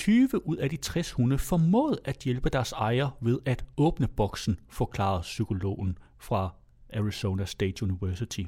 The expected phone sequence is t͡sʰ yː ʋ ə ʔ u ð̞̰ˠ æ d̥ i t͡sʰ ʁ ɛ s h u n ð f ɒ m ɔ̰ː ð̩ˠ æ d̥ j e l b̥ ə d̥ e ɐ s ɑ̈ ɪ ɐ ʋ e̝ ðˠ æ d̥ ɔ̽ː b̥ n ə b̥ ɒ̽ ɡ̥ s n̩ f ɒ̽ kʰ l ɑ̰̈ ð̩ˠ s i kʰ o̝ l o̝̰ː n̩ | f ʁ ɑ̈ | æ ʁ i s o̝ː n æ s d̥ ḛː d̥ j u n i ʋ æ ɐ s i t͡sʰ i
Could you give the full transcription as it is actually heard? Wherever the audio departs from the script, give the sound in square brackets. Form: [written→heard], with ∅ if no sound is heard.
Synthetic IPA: t͡sʰ yː ʋ ə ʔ u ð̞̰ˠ æ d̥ i t͡sʰ ʁ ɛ s h u n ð f ɒ m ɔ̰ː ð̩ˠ æ d̥ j e l b̥ ə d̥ [e→æ] ɐ s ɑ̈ ɪ ɐ ʋ e̝ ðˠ æ d̥ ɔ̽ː b̥ n ə b̥ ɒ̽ ɡ̥ s n̩ f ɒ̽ kʰ l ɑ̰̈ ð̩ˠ s [i→y] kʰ o̝ l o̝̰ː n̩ | f ʁ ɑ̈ | æ ʁ i s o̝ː n æ s d̥ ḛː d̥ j u n i ʋ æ ɐ s i t͡sʰ i